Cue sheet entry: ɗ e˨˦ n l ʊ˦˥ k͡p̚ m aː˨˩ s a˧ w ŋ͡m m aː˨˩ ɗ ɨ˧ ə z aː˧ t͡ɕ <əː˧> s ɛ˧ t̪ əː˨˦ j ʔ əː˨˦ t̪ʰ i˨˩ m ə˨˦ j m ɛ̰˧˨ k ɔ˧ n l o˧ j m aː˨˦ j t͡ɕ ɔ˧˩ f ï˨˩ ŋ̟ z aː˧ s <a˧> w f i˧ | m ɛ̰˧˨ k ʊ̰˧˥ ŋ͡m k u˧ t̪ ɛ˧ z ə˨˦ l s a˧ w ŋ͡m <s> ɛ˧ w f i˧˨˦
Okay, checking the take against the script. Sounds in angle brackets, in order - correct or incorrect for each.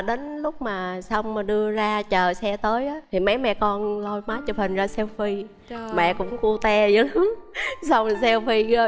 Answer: incorrect, incorrect, correct

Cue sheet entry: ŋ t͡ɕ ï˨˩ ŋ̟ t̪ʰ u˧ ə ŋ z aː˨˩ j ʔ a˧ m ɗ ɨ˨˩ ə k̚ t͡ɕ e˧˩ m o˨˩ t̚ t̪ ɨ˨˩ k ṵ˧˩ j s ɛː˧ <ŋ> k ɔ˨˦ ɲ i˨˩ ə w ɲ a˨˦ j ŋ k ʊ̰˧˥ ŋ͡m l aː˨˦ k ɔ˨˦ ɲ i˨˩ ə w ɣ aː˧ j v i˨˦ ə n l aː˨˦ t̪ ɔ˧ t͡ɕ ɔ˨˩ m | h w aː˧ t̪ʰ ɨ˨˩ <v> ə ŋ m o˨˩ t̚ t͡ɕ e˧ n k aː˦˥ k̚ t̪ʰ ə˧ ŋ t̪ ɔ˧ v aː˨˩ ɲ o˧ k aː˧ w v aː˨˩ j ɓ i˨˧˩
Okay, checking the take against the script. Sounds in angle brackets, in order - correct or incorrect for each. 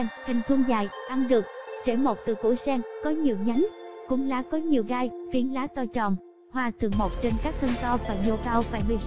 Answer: correct, incorrect

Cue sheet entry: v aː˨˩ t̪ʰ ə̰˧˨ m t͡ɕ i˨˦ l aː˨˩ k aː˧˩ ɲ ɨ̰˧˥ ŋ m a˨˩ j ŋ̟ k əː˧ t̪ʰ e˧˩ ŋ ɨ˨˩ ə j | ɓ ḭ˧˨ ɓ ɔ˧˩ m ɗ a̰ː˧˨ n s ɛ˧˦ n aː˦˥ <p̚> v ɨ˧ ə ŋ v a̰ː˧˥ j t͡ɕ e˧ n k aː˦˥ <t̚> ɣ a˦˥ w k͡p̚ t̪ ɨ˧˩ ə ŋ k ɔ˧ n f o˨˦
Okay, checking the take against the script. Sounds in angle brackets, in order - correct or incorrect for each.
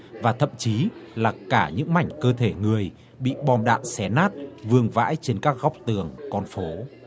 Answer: incorrect, incorrect

